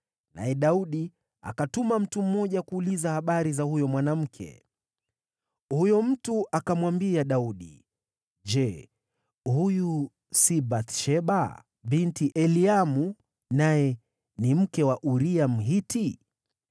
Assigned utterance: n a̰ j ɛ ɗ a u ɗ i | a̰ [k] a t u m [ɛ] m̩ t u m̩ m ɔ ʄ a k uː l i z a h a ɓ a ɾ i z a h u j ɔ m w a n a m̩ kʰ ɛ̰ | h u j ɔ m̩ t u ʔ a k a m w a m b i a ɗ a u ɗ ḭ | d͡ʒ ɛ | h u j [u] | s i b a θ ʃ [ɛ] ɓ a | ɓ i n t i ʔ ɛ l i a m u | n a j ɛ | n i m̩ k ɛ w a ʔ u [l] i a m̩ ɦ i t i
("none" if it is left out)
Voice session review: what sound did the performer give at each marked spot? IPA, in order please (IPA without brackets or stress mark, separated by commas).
k, a, u, ɛ, ɾ